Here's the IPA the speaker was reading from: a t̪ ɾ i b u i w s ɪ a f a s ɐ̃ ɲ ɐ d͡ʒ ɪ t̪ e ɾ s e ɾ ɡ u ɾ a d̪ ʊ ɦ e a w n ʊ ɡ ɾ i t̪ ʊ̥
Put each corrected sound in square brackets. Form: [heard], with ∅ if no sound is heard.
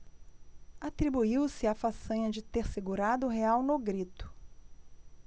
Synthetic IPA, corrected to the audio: a t̪ ɾ i b u i w s ɪ a f a s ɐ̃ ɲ ɐ d͡ʒ ɪ t̪ e ɾ s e [∅] ɡ u ɾ a d̪ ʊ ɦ e a w n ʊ ɡ ɾ i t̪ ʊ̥